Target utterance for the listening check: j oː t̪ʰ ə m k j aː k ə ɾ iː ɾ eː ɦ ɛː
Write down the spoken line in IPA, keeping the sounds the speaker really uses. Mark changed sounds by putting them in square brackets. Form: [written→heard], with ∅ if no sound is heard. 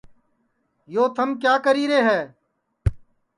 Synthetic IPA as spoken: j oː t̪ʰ ə m k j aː k ə ɾ iː ɾ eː ɦ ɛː